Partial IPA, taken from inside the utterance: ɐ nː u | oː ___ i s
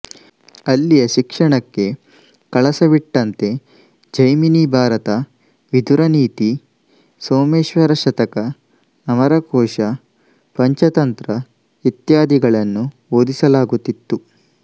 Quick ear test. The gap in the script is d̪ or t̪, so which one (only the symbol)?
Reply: d̪